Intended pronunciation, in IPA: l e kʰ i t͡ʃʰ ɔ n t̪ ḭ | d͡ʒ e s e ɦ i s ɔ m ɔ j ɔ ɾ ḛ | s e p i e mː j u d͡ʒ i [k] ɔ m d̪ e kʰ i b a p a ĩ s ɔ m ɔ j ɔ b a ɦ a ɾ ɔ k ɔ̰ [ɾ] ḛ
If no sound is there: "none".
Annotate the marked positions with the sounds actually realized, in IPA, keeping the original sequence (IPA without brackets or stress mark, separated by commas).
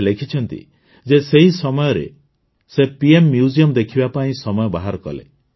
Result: none, l